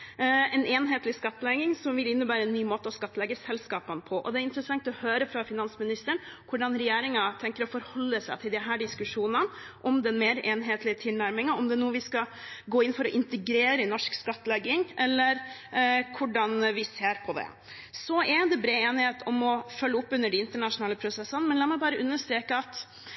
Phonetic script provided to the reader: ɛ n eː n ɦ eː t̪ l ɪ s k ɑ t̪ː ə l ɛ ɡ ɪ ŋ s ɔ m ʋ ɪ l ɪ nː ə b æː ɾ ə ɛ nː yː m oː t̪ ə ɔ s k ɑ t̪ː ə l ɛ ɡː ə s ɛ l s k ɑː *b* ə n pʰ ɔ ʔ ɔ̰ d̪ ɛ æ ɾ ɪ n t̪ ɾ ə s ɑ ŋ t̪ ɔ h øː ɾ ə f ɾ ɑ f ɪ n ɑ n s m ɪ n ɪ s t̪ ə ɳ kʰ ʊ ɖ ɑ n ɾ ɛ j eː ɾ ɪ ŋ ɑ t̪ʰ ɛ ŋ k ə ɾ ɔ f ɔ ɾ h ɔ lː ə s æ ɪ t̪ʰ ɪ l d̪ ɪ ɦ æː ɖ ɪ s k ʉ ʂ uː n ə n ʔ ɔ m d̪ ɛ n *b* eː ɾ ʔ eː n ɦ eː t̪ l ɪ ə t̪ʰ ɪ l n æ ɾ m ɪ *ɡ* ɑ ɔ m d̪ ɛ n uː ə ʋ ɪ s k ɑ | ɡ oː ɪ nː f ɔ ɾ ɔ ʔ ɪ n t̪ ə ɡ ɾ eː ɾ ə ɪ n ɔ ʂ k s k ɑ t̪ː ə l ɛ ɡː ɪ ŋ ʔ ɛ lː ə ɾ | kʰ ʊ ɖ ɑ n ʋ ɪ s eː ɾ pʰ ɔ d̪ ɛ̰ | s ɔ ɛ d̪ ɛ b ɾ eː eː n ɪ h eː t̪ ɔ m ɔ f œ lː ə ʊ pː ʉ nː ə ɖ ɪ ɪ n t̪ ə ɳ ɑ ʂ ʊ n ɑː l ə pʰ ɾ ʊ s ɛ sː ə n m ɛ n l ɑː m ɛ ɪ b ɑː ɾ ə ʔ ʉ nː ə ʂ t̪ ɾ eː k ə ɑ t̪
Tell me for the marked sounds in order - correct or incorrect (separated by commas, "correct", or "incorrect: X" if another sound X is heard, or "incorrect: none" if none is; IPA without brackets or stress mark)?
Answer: incorrect: p, incorrect: m, incorrect: ŋ